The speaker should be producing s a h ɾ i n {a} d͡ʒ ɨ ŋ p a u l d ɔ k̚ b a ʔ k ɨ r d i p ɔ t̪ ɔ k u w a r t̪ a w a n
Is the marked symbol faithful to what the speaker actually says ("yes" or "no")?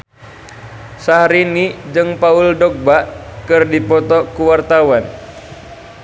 no